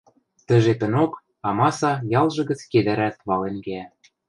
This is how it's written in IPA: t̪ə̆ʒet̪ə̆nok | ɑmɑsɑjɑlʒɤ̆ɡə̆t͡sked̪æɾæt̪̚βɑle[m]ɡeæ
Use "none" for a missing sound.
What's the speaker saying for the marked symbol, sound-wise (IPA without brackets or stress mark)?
n